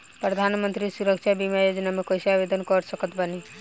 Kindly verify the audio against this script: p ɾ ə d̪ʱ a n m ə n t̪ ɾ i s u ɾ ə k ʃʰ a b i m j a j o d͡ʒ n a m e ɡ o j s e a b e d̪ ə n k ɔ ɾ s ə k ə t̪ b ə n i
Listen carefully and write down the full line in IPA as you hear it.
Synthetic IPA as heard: p ɾ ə d̪ʱ a n m ə n t̪ ɾ i s u ɾ ə k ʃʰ a b i m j a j o d͡ʒ n a m e k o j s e a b e d̪ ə n k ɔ ɾ s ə k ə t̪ b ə n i